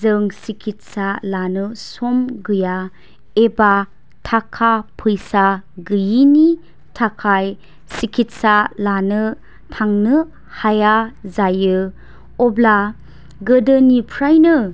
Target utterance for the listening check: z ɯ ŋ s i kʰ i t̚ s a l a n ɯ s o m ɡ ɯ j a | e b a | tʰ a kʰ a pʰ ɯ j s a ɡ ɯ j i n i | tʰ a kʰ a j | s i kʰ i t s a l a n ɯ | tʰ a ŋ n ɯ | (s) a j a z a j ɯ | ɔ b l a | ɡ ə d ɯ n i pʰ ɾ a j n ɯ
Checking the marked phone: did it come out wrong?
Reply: yes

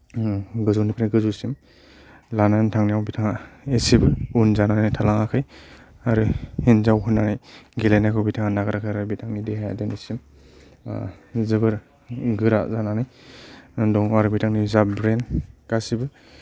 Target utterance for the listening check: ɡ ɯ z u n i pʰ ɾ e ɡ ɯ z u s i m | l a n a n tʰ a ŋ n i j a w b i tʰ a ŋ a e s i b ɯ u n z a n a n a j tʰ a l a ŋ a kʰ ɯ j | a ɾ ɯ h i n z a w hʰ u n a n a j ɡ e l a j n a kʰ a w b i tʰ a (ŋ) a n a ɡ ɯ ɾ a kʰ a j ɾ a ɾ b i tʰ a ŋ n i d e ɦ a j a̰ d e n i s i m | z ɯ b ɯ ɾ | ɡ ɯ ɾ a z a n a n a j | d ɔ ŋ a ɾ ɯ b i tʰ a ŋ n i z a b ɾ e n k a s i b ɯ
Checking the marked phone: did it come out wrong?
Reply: no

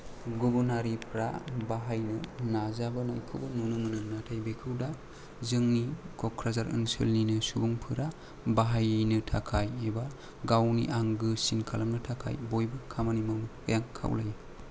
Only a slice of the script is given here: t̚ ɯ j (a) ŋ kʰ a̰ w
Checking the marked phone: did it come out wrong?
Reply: no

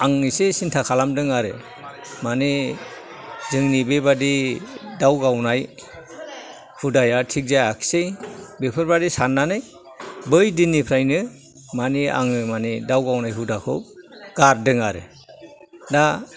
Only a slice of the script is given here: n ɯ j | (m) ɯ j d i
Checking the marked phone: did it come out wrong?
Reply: yes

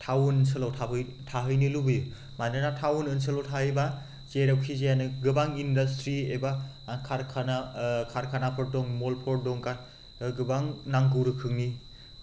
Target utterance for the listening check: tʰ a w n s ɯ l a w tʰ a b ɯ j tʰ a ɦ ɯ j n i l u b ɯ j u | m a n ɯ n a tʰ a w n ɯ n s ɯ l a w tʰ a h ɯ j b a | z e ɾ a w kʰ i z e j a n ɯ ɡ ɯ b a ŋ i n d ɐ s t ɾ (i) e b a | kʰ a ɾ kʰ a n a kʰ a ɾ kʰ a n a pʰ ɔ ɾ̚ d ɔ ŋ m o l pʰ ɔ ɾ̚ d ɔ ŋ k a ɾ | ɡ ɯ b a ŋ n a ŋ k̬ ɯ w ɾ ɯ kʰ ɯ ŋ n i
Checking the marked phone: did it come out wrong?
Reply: no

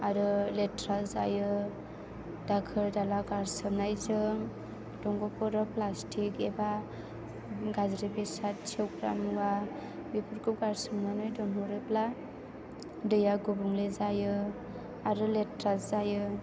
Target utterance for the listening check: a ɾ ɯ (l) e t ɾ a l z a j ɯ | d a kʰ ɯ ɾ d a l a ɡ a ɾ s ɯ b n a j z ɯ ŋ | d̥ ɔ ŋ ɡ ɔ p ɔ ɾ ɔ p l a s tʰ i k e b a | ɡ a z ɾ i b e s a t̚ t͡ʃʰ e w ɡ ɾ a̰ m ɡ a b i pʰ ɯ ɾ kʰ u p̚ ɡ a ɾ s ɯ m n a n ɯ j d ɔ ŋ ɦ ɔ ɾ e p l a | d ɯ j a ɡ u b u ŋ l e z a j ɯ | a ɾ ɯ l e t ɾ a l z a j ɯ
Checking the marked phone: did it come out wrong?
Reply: no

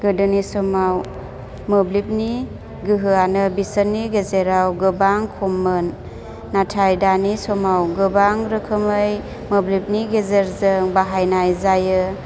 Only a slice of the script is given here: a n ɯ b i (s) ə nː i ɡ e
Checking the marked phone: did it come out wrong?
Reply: no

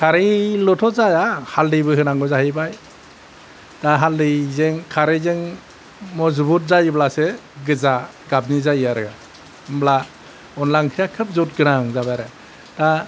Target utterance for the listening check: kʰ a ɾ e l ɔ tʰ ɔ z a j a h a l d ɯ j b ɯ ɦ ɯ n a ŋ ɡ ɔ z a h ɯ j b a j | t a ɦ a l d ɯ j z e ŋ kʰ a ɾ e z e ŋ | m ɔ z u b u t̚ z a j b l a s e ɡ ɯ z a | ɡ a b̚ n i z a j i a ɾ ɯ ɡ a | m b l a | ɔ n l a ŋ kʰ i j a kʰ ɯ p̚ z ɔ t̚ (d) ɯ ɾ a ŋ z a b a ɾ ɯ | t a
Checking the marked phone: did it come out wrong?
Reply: yes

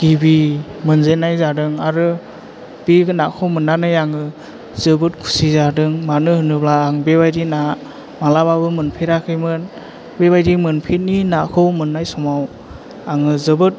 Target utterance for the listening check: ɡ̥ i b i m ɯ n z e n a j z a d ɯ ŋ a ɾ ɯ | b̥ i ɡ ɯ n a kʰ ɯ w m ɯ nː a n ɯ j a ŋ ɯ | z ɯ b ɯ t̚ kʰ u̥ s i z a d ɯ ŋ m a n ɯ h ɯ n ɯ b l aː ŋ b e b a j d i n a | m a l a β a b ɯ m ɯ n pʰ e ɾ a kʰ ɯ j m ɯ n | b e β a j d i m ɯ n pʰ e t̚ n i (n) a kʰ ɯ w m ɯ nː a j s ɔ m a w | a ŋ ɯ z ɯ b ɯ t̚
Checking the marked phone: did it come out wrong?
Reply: no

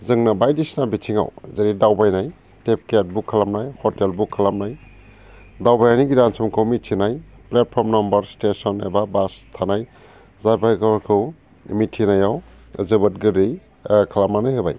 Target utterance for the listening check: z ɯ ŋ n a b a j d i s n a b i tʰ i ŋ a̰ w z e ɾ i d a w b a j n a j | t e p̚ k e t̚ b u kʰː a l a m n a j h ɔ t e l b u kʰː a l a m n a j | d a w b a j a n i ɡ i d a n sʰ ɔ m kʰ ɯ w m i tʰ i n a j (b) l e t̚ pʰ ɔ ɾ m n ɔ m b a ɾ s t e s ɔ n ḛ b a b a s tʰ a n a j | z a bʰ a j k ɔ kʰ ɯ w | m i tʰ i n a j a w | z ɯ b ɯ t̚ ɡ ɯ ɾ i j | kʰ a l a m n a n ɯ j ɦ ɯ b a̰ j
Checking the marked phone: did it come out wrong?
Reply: yes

